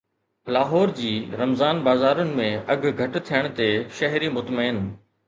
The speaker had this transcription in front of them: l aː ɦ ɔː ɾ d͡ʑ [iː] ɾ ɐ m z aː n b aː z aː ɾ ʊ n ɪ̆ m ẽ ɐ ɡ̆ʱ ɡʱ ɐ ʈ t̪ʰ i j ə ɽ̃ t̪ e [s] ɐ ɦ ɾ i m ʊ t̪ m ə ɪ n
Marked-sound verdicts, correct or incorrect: correct, incorrect: ʃ

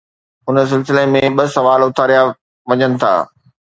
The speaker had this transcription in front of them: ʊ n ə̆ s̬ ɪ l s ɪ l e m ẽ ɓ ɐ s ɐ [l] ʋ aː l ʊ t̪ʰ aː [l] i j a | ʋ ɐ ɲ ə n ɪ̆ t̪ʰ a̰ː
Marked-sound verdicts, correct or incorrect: incorrect: none, incorrect: ɾ

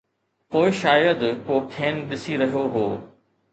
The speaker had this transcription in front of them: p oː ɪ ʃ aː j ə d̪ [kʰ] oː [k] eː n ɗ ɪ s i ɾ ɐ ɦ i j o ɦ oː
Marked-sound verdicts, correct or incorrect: incorrect: k, incorrect: kʰ

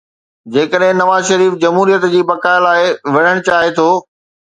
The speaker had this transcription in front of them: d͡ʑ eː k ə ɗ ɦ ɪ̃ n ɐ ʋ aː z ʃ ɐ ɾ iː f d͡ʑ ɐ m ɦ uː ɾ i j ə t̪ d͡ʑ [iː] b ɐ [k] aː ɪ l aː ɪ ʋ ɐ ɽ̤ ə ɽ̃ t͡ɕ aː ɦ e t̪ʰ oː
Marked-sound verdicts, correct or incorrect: correct, correct

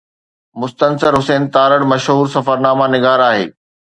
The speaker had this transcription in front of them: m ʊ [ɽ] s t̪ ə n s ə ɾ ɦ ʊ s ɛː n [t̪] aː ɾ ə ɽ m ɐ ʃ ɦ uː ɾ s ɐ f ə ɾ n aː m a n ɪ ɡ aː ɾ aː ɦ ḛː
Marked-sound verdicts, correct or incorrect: incorrect: none, correct

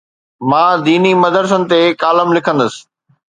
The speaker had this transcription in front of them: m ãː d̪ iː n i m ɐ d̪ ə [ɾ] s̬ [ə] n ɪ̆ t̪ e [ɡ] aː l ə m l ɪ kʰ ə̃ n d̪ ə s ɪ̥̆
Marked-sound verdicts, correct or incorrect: correct, correct, incorrect: k

